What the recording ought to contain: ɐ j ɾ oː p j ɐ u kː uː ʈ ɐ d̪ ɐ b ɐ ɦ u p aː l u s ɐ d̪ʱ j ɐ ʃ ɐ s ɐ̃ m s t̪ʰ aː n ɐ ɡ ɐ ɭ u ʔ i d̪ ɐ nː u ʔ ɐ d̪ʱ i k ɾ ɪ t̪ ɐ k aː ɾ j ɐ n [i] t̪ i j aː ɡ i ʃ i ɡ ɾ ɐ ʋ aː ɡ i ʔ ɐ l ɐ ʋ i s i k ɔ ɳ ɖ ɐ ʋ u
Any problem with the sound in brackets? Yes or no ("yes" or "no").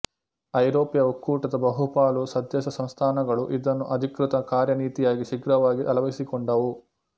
yes